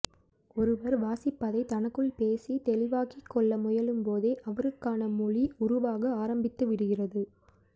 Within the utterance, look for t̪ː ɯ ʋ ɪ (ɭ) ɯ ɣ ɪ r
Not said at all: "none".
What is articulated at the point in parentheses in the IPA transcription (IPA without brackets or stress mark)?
ɽ